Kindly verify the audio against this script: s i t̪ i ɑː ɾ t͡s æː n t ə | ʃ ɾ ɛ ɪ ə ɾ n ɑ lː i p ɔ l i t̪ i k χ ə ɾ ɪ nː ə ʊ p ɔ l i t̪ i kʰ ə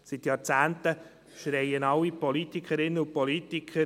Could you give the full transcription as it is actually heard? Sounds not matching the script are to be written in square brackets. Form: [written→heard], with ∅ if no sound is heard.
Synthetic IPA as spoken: s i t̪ [i→j] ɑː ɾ t͡s æː n t ə | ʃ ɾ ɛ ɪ ə [ɾ→∅] n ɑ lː i p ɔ l i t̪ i k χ ə ɾ ɪ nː ə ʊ p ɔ l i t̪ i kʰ ə